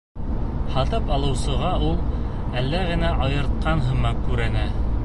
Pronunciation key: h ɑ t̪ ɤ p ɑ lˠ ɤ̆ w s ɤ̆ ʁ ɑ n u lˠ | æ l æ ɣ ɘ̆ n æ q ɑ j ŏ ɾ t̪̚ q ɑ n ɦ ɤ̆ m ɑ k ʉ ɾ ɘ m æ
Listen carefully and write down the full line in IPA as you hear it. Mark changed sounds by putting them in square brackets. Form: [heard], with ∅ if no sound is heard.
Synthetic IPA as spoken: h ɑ t̪ ɤ p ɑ lˠ ɤ̆ w s ɤ̆ ʁ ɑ [∅] u lˠ | æ [lː] æ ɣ ɘ̆ n æ [ʔ] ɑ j [ɤ̆] ɾ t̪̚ q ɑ n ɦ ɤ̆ m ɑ k ʉ ɾ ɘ [n] æ